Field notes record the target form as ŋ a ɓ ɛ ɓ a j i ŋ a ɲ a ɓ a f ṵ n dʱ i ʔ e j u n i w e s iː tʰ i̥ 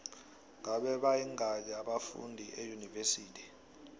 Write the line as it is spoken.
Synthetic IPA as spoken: ŋ a ɓ ɛ ɓ a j i ŋ a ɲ a ɓ a f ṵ n dʱ i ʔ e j u n i v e s iː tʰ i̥